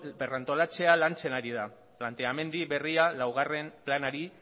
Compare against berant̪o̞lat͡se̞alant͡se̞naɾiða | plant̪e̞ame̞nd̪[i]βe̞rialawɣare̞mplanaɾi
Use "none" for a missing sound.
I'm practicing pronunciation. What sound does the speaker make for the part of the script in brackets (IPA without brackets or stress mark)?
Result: i